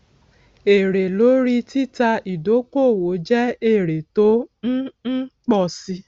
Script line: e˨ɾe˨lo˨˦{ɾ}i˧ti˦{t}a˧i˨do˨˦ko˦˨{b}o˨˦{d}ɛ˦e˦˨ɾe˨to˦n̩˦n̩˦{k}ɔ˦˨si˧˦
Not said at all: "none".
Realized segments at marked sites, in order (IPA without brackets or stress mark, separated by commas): ɾ, t, w, d͡ʒ, k͡p